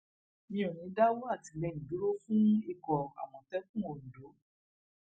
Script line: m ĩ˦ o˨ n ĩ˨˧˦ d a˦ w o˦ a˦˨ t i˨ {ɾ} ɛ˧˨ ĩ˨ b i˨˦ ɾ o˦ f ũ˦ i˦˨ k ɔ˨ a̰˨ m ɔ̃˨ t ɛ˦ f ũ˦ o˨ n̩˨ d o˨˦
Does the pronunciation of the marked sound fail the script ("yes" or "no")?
yes